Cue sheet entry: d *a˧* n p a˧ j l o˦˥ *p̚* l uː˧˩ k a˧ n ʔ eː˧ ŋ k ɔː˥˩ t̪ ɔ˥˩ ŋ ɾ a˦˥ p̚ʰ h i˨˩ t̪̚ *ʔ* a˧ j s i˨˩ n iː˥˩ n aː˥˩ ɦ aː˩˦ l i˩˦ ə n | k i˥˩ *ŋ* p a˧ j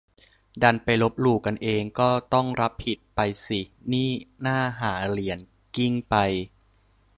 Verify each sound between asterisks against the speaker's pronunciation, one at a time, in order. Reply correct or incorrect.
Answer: correct, correct, incorrect, correct

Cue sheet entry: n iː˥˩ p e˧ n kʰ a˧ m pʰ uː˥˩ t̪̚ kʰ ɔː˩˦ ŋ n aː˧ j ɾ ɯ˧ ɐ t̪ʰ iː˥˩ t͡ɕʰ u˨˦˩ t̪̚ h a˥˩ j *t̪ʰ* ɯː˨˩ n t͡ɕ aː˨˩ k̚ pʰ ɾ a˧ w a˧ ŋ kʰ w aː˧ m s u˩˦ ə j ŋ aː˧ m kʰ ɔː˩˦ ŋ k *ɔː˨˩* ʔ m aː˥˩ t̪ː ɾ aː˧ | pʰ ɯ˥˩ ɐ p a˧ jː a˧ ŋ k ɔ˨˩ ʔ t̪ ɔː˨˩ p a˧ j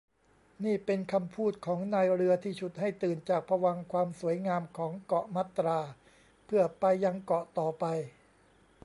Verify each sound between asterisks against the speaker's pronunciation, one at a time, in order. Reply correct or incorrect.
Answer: incorrect, incorrect

